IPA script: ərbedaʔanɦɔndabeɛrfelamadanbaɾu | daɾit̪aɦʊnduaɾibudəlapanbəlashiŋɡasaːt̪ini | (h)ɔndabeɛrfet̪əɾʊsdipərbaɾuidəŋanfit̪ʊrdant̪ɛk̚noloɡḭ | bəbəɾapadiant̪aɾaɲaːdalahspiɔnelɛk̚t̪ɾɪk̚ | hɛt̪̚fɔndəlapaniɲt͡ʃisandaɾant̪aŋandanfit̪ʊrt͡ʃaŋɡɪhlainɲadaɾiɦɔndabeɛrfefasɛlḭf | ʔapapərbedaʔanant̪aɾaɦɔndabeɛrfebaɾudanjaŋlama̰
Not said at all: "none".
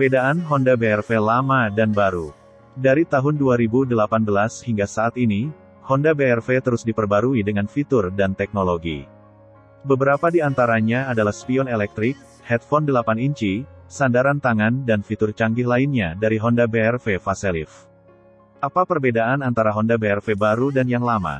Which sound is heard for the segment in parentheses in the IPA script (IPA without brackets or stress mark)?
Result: h